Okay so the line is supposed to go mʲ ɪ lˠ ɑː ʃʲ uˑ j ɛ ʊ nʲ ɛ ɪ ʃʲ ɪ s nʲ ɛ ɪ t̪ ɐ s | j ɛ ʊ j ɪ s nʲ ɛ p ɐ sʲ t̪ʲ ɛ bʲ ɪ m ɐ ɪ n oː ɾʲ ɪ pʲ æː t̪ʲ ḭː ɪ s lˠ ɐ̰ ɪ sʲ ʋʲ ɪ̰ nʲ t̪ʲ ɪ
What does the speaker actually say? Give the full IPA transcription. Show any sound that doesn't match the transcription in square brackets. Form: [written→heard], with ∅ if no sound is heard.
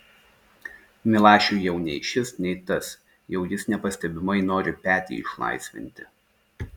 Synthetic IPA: mʲ ɪ lˠ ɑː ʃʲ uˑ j ɛ ʊ nʲ ɛ ɪ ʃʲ ɪ s nʲ ɛ ɪ t̪ ɐ s | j ɛ ʊ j ɪ s nʲ ɛ p ɐ sʲ t̪ʲ ɛ bʲ ɪ m ɐ ɪ n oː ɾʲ ɪ pʲ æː t̪ʲ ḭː ɪ [s→ʃ] lˠ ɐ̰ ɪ sʲ ʋʲ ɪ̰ nʲ t̪ʲ ɪ